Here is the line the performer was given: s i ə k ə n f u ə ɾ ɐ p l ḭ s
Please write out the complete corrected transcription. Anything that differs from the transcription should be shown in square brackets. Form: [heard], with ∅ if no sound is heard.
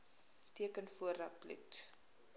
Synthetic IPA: [t] i ə k ə n f u ə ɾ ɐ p l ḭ [t]